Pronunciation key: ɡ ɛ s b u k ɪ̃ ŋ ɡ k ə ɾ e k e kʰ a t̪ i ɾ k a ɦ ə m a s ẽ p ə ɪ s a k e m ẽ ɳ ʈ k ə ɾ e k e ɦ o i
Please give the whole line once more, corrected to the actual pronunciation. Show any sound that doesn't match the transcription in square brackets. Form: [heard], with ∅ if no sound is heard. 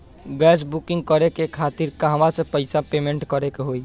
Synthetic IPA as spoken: ɡ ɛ s b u k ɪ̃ ŋ ɡ k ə ɾ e k e kʰ a t̪ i ɾ k a ɦ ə m a s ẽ p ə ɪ s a [p] e m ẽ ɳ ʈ k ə ɾ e k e ɦ o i